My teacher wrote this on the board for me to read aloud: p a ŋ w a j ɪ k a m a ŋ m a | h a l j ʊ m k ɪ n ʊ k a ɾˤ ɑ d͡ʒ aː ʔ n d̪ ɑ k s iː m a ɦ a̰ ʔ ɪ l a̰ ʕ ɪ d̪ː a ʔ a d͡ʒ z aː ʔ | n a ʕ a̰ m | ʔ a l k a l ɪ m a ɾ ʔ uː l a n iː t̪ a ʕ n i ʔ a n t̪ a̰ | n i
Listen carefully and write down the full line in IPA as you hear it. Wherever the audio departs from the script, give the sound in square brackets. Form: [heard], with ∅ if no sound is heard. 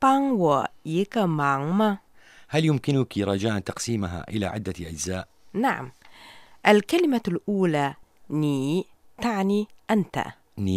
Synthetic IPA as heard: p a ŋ w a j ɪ k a m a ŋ m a | h a l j ʊ m k ɪ n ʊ k [i] ɾˤ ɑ d͡ʒ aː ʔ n [t̪] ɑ [q] s iː m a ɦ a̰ ʔ ɪ l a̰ ʕ ɪ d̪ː a ʔ a d͡ʒ z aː ʔ | n a ʕ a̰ m | ʔ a l k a l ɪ m a [l] ʔ uː l a n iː t̪ a ʕ n i ʔ a n t̪ a̰ | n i